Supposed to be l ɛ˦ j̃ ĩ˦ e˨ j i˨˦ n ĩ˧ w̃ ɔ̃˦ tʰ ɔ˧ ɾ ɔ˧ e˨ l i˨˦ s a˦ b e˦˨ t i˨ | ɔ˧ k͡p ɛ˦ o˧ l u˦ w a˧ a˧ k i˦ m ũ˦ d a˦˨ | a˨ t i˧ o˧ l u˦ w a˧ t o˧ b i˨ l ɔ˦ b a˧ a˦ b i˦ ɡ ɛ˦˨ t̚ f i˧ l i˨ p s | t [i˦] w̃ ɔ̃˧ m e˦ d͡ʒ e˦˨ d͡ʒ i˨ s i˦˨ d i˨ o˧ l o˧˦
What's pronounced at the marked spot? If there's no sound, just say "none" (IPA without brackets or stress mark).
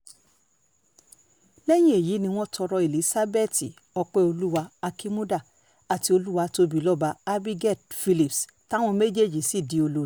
a˦